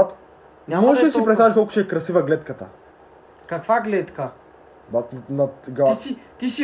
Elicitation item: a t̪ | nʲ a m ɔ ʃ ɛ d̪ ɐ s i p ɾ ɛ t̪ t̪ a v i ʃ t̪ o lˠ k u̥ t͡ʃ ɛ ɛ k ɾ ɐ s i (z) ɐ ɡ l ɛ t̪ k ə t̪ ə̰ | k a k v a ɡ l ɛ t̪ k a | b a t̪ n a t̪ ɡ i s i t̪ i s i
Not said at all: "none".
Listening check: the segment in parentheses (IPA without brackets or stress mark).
v